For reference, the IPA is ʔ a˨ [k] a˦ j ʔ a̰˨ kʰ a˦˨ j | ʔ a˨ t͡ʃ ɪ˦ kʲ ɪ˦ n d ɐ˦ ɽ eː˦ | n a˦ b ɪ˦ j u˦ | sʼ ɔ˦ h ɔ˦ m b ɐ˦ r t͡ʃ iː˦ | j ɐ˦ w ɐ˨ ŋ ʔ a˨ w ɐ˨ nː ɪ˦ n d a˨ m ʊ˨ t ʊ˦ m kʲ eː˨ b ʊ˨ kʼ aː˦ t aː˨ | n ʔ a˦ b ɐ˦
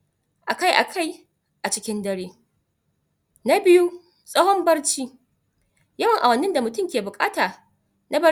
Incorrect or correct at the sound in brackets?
correct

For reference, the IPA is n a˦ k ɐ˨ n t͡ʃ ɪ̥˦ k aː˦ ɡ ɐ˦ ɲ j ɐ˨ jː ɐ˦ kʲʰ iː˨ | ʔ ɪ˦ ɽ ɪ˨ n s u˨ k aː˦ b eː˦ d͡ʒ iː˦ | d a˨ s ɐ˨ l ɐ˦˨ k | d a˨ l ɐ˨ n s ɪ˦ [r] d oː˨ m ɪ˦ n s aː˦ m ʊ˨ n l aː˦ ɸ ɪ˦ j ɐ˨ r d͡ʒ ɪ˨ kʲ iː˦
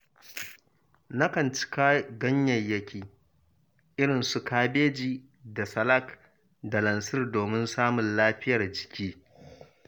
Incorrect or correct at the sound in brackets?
correct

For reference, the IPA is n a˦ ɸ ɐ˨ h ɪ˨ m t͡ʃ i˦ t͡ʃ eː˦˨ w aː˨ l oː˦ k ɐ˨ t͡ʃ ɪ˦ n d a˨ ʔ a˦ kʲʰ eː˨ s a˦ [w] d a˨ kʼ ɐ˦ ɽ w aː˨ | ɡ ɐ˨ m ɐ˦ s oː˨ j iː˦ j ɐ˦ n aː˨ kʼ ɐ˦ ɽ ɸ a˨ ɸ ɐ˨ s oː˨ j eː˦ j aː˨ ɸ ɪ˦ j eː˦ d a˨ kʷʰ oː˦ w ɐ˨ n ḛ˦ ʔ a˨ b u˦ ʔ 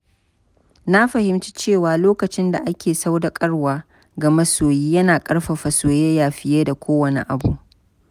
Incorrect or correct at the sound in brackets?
correct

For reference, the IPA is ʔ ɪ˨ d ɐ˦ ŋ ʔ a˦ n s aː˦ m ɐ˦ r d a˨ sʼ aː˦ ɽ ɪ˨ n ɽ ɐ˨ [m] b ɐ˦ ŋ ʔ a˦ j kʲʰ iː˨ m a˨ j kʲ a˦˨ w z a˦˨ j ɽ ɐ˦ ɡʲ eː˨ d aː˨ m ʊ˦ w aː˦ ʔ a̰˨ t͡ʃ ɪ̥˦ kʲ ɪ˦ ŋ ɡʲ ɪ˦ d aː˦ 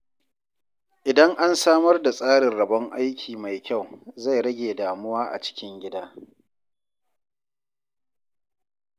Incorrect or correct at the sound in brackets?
incorrect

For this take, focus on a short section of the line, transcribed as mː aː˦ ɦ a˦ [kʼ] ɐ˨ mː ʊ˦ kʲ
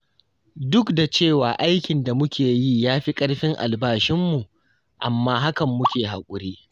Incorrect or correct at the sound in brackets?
incorrect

